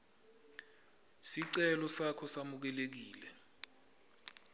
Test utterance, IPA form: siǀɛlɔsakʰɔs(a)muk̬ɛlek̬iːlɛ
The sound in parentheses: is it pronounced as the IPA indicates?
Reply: yes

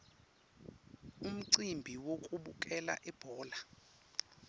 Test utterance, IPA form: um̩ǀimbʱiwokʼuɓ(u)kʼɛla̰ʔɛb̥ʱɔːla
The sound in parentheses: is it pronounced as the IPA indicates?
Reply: yes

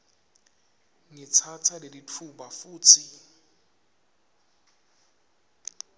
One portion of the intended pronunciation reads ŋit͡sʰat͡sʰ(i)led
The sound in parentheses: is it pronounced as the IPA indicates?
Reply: no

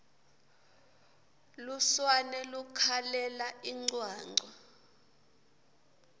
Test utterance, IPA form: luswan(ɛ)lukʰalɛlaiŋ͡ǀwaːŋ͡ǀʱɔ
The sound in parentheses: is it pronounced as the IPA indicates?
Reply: yes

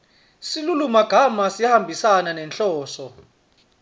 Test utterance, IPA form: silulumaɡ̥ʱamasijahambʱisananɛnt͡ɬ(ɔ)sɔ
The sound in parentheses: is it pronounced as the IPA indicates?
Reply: no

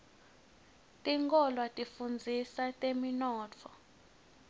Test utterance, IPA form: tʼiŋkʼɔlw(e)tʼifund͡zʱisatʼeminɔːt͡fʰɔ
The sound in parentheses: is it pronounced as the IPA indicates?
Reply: no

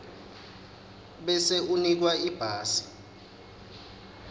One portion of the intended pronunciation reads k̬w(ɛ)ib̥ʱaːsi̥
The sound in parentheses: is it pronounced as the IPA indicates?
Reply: no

